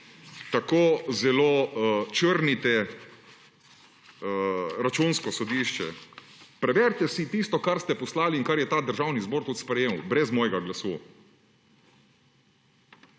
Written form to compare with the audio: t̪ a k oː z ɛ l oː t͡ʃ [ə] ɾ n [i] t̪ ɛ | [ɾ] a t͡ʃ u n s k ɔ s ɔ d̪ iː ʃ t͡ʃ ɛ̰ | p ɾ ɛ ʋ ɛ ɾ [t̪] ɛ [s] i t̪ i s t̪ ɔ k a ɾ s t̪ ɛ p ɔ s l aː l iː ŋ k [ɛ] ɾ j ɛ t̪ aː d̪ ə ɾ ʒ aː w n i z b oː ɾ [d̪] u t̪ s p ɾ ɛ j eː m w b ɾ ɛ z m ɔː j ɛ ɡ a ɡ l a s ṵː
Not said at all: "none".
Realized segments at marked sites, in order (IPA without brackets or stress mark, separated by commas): ə, i, ɾ, t̪, s, a, t̪